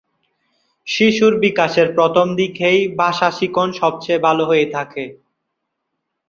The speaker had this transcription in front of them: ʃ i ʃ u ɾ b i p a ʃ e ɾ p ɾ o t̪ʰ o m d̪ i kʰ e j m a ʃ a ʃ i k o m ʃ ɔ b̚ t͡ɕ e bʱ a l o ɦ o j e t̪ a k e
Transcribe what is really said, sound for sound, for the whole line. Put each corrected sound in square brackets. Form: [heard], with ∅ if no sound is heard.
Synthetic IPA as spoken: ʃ i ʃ u ɾ b i [k] a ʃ e ɾ p ɾ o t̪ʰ o m d̪ i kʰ e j [b] a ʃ a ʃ i k o [n] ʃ ɔ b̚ t͡ɕ e bʱ a l o ɦ o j e [t̪ʰ] a k e